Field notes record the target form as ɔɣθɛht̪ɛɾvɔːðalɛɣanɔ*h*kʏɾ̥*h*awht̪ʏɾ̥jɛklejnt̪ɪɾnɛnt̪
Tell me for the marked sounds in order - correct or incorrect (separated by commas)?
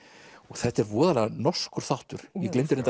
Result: incorrect, incorrect